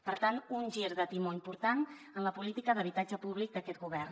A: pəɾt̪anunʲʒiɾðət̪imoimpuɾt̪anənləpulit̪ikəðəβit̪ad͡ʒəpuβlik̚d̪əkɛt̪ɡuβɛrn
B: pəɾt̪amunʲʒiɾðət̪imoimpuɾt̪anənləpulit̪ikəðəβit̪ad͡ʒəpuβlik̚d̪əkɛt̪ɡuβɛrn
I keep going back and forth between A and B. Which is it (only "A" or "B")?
A